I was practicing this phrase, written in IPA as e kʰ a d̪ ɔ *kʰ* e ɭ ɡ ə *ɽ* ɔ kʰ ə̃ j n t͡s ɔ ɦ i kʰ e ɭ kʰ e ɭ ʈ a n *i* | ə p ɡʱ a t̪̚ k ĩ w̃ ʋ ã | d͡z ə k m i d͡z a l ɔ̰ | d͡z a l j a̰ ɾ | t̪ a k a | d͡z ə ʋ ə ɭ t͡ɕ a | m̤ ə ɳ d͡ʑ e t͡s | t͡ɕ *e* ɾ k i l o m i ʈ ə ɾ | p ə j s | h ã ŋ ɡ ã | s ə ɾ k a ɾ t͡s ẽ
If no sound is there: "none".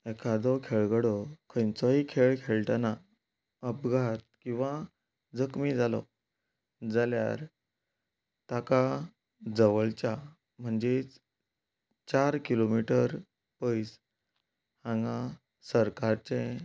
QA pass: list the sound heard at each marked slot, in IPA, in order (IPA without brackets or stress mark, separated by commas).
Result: kʰ, ɽ, a, a